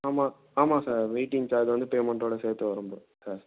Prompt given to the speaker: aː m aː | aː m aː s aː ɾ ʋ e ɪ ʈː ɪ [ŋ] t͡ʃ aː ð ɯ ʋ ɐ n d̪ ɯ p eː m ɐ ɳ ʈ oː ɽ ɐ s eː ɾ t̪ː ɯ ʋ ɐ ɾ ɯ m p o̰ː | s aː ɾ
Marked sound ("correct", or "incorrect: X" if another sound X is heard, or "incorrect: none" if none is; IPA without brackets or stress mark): correct